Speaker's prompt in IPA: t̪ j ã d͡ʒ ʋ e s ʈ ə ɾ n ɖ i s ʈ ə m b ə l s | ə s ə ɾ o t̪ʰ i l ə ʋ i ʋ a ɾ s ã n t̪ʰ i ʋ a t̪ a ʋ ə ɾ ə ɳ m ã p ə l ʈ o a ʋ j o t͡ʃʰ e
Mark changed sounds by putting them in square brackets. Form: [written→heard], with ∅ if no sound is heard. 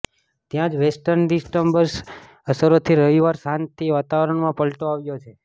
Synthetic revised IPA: t̪ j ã d͡ʒ ʋ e s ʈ ə ɾ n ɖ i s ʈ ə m b ə [l→ɾ] s | ə s ə ɾ o t̪ʰ i [l→ɾ] ə ʋ i ʋ a ɾ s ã n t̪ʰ i ʋ a t̪ a ʋ ə ɾ ə ɳ m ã p ə l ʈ o a ʋ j o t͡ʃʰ e